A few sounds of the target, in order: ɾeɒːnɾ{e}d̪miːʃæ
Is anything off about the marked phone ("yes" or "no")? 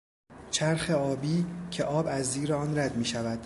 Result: yes